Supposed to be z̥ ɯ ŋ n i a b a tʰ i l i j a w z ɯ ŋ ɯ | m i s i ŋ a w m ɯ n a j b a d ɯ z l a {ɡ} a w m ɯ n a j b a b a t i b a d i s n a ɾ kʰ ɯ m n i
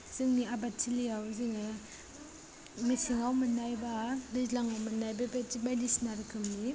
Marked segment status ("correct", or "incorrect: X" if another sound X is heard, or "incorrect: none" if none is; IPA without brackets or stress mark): incorrect: ŋ